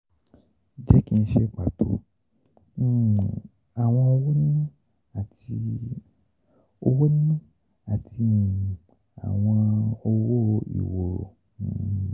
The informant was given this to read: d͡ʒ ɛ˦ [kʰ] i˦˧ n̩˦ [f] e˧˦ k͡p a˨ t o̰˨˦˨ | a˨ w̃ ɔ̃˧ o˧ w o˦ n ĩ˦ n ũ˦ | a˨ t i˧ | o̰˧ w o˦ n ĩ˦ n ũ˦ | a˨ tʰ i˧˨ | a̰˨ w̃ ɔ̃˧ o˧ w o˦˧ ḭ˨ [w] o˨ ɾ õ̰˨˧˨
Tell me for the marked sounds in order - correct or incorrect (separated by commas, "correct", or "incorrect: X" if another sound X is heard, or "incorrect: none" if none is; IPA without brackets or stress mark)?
incorrect: k, incorrect: ʃ, correct